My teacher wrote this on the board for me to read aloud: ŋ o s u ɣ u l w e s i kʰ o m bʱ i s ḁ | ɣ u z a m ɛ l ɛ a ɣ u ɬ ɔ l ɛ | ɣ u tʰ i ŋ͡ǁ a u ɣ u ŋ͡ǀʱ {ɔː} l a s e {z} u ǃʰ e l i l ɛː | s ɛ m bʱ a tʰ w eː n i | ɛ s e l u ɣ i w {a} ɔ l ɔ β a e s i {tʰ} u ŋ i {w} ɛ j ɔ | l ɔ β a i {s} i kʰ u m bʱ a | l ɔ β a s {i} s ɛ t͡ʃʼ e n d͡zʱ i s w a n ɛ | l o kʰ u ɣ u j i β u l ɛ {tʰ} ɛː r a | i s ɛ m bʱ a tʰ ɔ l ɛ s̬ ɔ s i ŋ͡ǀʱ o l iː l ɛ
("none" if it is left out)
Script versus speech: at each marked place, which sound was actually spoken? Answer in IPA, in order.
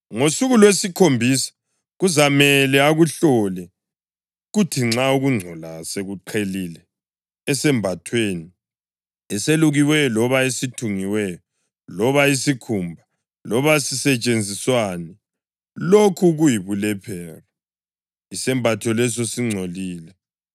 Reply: ɔ, ɣ, ɛ, tʰ, w, s, i, pʰ

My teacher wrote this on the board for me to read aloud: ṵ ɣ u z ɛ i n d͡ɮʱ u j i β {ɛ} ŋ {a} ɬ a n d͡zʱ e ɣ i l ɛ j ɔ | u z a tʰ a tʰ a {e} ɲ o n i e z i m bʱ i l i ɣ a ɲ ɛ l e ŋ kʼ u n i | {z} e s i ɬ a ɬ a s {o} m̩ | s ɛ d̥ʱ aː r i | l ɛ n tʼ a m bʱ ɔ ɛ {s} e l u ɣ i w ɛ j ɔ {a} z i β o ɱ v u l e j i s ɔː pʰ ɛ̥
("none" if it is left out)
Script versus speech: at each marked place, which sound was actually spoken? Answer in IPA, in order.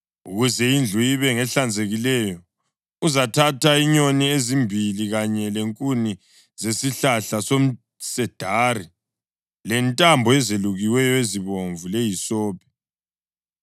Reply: ɛ, ɛ, i, z, o, z, e

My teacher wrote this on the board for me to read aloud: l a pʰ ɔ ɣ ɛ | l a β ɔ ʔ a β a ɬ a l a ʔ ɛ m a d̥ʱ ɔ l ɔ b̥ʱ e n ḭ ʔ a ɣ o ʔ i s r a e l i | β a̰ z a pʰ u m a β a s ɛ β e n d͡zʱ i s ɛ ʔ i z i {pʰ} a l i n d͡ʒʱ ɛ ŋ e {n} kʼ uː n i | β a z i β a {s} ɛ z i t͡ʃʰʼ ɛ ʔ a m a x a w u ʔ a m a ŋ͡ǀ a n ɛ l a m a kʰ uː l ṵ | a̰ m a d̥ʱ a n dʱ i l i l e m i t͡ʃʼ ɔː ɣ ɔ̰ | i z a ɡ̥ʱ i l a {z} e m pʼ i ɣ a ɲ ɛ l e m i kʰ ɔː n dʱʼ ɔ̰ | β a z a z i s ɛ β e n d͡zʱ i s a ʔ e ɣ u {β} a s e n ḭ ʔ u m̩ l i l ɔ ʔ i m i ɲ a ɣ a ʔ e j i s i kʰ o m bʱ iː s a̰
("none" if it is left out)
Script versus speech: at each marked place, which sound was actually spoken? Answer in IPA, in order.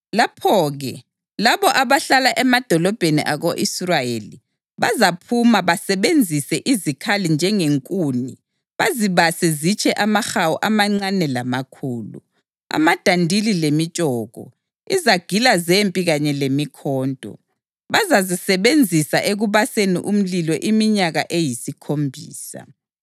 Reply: kʰ, ŋ, s, z, β

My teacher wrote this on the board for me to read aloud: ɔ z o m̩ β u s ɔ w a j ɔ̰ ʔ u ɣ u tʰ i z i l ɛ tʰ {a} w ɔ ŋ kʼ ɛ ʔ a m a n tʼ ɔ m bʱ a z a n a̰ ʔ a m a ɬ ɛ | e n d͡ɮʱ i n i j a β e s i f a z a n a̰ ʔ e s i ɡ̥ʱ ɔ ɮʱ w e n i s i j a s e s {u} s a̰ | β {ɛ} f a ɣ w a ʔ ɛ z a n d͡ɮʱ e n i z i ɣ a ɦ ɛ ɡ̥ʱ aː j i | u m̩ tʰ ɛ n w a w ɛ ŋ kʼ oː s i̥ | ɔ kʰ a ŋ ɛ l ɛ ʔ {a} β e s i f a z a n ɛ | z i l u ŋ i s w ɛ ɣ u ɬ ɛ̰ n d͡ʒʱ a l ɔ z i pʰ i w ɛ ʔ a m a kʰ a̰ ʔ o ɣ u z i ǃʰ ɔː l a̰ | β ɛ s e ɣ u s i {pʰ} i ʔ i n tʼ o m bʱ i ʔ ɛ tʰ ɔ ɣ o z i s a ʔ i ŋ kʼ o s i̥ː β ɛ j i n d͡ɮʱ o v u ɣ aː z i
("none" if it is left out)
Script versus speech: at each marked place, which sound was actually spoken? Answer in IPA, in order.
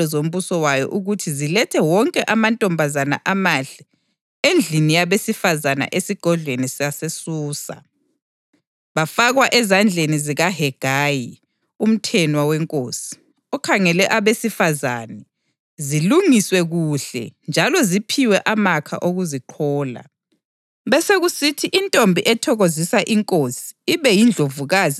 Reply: ɛ, uː, a, a, tʰ

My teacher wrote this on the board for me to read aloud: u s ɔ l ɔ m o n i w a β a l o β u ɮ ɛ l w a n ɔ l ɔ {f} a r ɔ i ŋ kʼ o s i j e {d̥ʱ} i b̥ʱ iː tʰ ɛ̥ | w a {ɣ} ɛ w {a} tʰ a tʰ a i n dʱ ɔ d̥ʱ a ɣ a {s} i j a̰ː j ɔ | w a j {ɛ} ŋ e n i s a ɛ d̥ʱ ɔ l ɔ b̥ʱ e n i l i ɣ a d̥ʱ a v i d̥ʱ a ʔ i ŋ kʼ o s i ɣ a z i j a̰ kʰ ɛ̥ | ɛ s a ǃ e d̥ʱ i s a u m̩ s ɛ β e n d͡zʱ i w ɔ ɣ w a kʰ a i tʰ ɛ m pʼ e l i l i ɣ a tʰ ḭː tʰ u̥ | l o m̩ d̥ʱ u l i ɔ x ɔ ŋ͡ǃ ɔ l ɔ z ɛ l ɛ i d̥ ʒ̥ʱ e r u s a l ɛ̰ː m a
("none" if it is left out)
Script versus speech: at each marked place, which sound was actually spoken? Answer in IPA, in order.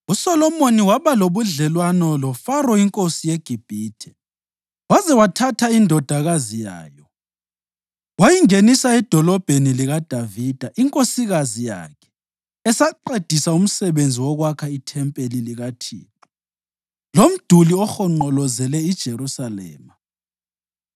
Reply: f, ɡ̥ʱ, z, a, z, i

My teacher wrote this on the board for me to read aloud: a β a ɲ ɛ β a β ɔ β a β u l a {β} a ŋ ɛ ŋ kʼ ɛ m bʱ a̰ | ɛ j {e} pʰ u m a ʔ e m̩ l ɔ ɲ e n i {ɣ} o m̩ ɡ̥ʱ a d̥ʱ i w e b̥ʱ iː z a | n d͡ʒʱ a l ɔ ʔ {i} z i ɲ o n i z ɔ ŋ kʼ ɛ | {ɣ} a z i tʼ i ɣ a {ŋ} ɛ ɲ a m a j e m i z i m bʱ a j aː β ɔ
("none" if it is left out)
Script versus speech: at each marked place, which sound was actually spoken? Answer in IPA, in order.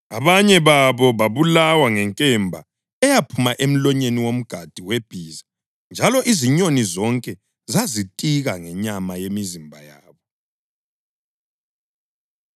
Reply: w, a, w, i, z, ŋ

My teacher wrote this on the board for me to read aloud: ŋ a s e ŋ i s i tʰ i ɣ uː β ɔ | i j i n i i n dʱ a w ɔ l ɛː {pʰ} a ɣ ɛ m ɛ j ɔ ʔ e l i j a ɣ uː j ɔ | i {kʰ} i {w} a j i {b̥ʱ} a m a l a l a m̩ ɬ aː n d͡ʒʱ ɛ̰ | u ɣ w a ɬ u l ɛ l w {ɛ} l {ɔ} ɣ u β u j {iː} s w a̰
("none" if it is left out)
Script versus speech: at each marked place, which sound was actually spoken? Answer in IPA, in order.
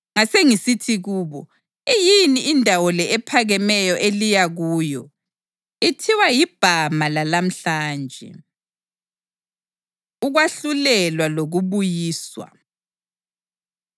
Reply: pʰ, tʰ, w, b̥ʱ, a, o, iː

